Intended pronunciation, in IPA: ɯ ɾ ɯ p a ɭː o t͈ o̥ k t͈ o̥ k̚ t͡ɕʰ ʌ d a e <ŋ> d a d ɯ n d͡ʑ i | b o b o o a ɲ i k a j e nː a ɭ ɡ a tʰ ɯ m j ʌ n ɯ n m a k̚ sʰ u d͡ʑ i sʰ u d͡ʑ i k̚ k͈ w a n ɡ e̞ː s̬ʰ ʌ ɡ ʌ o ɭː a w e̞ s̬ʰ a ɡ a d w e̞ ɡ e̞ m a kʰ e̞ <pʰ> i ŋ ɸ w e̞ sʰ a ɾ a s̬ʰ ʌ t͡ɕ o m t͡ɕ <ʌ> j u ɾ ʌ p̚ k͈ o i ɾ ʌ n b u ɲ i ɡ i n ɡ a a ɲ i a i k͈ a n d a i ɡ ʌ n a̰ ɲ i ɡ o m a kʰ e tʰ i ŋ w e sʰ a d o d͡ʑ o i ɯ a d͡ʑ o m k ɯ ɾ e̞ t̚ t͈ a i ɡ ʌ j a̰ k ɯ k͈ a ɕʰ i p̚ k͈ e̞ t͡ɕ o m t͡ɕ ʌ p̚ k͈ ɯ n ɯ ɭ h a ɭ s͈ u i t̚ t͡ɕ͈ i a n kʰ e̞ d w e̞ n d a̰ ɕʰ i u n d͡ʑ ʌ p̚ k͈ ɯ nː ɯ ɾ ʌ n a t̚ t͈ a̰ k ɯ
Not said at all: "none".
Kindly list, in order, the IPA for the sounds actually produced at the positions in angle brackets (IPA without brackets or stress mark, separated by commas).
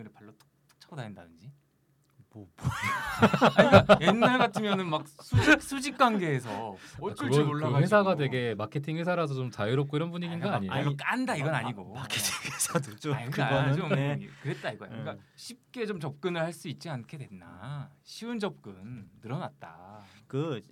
n, tʰ, a